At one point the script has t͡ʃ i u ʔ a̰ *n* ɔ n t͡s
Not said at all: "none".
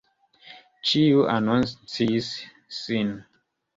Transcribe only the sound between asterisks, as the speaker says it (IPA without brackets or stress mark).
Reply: n